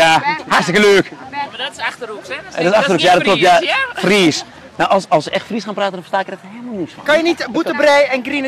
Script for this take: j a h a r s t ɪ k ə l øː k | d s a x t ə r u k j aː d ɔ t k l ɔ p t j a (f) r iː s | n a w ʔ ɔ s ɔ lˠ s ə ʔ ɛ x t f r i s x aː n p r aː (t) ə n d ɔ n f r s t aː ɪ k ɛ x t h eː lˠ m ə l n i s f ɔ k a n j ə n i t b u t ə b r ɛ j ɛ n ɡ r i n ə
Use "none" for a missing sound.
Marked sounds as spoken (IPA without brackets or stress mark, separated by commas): f, t